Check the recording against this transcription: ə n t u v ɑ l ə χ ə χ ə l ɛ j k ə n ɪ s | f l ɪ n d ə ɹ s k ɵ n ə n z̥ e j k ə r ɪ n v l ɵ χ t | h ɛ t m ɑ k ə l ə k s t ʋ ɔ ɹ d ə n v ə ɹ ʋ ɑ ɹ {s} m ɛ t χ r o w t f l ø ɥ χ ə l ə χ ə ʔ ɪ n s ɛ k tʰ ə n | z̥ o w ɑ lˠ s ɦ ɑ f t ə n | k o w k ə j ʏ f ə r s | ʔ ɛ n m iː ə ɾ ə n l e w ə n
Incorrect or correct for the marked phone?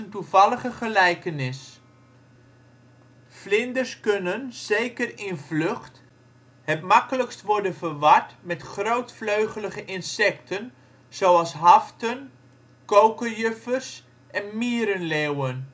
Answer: incorrect: t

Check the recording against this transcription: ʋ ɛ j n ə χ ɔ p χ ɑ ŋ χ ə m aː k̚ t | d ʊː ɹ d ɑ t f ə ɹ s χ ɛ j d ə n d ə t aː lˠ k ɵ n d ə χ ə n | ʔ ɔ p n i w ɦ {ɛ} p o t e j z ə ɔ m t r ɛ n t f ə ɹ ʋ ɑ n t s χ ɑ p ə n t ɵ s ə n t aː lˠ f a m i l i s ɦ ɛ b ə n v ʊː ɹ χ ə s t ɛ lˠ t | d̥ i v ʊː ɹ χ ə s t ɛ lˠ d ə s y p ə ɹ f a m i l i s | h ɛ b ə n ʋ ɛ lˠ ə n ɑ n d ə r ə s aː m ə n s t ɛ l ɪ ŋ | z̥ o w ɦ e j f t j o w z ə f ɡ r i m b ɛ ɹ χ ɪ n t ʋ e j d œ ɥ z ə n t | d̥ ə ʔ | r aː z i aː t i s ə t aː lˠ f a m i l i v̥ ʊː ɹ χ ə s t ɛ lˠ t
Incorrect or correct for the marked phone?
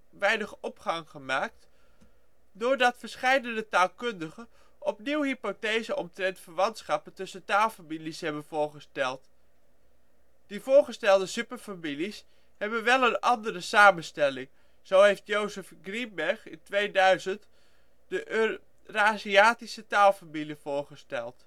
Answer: incorrect: i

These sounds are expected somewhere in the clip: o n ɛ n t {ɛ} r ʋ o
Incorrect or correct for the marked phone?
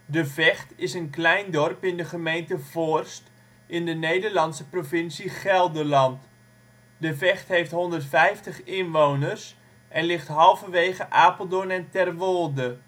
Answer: correct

